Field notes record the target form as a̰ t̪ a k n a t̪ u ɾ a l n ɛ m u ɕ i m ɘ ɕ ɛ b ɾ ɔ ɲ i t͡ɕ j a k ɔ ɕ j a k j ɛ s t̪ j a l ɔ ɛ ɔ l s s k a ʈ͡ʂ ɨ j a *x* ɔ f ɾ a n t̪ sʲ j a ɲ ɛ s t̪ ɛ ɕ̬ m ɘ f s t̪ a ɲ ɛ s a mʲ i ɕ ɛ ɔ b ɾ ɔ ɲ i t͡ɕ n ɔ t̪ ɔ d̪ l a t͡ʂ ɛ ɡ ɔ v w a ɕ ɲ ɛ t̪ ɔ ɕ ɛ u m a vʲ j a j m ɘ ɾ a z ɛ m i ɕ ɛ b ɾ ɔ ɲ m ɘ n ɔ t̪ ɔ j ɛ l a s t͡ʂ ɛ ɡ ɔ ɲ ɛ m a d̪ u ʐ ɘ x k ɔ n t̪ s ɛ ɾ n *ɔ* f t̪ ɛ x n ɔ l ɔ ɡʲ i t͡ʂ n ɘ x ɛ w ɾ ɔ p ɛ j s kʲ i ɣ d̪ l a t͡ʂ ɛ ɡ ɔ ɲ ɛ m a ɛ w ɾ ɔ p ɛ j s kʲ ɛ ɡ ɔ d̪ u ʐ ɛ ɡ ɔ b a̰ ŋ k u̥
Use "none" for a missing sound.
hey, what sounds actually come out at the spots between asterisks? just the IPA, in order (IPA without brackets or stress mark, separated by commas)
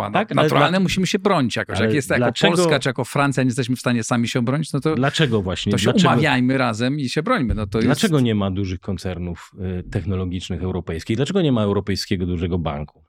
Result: k, u